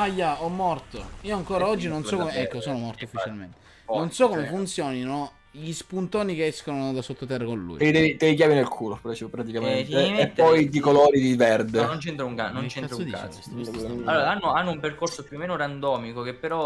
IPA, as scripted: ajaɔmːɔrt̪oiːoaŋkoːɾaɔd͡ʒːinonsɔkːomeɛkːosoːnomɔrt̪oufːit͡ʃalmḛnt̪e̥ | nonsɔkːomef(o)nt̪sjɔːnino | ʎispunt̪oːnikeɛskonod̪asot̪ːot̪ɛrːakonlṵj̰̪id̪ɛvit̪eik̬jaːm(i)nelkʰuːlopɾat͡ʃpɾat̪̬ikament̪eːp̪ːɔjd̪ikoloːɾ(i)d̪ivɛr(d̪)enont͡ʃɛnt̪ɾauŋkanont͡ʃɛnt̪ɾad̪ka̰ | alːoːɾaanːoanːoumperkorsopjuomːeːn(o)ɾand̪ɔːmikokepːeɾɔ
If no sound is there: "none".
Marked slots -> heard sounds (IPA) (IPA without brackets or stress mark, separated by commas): u, i, i, d̪, o